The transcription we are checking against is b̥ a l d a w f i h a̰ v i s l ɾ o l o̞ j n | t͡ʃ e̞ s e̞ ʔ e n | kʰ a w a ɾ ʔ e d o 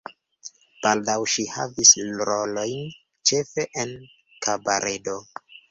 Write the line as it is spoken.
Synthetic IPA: b̥ a l d a w ʃ i h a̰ v i s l ɾ o l o̞ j n | t͡ʃ e̞ f e̞ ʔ e n | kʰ a b a ɾ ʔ e d o